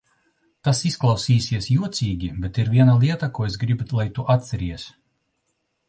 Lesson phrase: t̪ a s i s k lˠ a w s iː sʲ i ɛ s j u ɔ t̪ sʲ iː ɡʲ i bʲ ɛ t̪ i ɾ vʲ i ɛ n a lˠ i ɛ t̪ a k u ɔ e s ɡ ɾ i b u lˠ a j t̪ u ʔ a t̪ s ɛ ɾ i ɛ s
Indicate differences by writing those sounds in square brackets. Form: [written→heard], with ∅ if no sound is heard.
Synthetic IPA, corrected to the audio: t̪ a s i s k lˠ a w s iː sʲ i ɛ s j u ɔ t̪ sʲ iː ɡʲ i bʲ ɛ t̪ i ɾ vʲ i ɛ n a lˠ i ɛ t̪ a k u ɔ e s ɡ ɾ i b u lˠ a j t̪ u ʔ a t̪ s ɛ ɾ i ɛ s